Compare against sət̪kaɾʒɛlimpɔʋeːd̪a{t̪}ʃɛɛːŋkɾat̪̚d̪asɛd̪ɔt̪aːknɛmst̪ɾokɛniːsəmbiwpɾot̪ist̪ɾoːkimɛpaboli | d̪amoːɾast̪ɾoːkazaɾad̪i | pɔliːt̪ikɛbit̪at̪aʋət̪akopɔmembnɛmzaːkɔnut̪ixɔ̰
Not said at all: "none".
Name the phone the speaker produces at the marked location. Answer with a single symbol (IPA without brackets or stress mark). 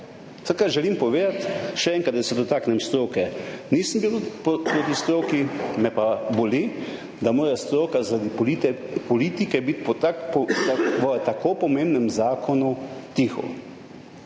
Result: t̪